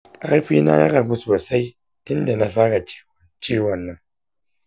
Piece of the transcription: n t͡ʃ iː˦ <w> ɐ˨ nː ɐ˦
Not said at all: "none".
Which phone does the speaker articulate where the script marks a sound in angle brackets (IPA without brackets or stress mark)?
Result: w